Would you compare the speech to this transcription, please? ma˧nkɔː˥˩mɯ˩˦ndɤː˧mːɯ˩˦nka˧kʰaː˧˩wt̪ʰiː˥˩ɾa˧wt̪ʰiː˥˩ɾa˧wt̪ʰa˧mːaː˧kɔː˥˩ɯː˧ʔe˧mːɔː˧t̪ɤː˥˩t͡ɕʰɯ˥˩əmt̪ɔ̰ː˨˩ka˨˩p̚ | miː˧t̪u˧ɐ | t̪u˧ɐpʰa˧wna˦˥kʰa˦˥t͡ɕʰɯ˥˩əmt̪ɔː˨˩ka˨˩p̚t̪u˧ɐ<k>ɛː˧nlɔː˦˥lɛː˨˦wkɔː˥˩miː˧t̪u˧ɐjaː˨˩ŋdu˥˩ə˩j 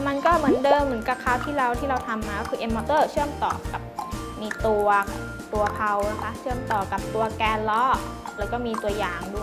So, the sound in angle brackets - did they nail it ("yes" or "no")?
yes